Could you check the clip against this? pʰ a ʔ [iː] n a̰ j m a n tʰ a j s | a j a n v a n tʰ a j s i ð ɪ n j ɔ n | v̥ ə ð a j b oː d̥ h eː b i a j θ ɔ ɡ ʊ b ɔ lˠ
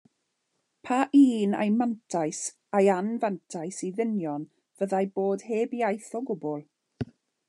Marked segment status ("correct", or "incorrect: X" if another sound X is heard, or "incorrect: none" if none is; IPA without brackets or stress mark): correct